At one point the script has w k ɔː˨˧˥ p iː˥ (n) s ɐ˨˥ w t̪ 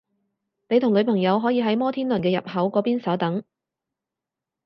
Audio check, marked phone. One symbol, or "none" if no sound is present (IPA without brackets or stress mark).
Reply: n